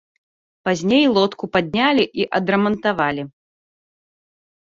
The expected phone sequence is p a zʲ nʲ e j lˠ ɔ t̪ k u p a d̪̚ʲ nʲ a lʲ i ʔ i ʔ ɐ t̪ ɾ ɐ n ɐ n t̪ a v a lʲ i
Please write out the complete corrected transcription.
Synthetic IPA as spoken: p a zʲ nʲ e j lˠ ɔ t̪ k u p a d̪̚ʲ nʲ a lʲ i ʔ i ʔ ɐ d̪ ɾ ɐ m ɐ n t̪ a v a lʲ i